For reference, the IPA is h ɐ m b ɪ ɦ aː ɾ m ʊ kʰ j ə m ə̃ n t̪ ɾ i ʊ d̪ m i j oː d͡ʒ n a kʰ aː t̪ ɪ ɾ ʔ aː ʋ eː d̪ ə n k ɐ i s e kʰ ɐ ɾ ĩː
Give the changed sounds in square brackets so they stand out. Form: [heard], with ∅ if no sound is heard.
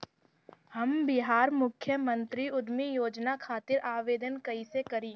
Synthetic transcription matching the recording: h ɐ m b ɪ ɦ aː ɾ m ʊ kʰ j ə m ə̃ n t̪ ɾ i ʊ d̪ m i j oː d͡ʒ n a kʰ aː t̪ ɪ ɾ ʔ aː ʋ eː d̪ ə n k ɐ i s e [k] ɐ ɾ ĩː